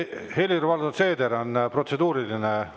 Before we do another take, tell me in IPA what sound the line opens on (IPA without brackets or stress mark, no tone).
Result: h